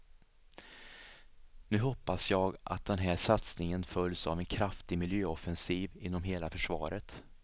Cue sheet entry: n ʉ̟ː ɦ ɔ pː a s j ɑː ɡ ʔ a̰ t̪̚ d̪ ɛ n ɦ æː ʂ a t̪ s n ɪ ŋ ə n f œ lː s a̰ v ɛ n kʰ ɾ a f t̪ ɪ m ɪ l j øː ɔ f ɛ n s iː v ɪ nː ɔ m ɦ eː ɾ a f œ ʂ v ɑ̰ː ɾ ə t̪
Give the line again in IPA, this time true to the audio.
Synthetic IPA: n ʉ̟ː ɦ ɔ pː a s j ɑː ɡ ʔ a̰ t̪̚ d̪ ɛ n ɦ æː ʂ a t̪ s n ɪ ŋ ə n f œ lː s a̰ v ɛ n kʰ ɾ a f t̪ ɪ m ɪ l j øː ɔ f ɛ n s iː v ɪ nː ɔ m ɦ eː l a f œ ʂ v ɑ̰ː ɾ ə t̪